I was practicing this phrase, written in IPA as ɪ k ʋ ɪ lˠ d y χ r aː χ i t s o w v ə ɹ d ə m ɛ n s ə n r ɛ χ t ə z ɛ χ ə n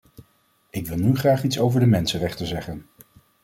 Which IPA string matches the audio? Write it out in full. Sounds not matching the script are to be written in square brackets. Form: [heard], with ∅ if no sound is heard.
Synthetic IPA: ɪ k ʋ ɪ lˠ [n] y χ r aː χ i t s o w v ə ɹ d ə m ɛ n s ə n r ɛ χ t ə z ɛ χ ə n

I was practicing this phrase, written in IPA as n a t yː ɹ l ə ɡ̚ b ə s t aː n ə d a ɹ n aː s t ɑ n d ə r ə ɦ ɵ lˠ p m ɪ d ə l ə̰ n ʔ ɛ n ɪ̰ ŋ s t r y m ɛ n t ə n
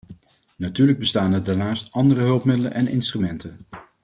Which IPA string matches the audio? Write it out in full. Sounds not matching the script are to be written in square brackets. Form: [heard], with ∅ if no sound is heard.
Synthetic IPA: n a t yː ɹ l ə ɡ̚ b ə s t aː n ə d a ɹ n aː s t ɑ n d ə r ə ɦ ɵ lˠ p m ɪ d ə l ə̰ n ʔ ɛ n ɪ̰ [n] s t r y m ɛ n t ə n

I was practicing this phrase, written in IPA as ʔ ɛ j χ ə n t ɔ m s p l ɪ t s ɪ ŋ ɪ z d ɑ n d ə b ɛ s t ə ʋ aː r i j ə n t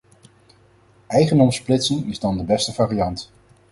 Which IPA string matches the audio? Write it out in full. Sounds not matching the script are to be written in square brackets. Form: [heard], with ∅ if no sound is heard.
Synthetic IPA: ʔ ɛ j χ ə n [d] ɔ m s p l ɪ t s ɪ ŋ ɪ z d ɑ n d ə b ɛ s t ə [v] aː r i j [ɑ] n t

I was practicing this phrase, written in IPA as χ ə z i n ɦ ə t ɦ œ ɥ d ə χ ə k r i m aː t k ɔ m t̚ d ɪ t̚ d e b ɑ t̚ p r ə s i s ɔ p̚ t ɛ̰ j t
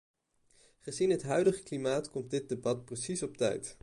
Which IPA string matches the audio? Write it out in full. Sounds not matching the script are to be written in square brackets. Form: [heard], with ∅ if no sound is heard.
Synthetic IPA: χ ə z i n ɦ ə t ɦ œ ɥ d ə χ ə k [l] i m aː t k ɔ m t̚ d ɪ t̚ d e b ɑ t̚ p r ə s i s ɔ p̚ t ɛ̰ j t

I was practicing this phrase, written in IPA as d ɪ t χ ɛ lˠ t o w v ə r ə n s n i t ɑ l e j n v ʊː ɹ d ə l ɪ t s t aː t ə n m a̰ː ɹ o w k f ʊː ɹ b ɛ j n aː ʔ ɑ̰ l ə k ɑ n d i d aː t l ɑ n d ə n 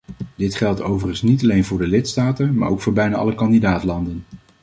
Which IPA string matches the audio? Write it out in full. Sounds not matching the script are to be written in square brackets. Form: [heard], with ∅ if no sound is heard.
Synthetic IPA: d ɪ t χ ɛ lˠ t o w v ə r ə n s n i t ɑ l e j n v ʊː ɹ d ə l ɪ t s t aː t ə n m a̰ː ɹ o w k f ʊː ɹ b ɛ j n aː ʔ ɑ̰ l ə k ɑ n d i d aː t l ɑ n d ə n

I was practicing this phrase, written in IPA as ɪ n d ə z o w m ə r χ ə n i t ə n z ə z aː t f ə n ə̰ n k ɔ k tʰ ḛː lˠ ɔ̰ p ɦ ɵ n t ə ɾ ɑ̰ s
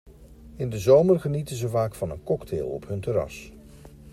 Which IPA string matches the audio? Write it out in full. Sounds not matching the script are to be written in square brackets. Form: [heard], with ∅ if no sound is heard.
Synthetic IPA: ɪ n d ə z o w m ə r χ ə n i t ə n z ə [v] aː [k] f [ɑ] n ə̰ n k ɔ k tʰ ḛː lˠ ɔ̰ p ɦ ɵ n t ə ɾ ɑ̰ s

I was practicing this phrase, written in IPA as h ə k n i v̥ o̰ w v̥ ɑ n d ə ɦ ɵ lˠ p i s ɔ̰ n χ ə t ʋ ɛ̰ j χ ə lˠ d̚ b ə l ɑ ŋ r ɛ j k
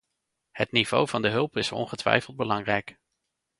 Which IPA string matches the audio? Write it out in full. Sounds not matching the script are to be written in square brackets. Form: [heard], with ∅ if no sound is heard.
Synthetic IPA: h ə [t] n i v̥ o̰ w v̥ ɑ n d ə ɦ ɵ lˠ p [ɪ] s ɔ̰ n χ ə t ʋ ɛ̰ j [f] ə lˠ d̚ b ə l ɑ ŋ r ɛ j k

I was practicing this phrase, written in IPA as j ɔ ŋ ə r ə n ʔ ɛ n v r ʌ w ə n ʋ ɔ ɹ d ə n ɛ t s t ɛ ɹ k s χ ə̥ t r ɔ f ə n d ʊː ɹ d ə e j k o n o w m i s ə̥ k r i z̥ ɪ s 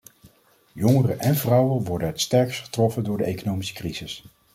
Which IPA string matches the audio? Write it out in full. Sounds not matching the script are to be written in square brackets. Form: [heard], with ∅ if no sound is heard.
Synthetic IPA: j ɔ ŋ ə r ə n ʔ ɛ n v r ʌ w ə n ʋ ɔ ɹ d ə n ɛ t s t ɛ ɹ k s χ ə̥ t r ɔ f ə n d ʊː ɹ d ə e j k o n o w m i s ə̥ k r i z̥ ɪ s

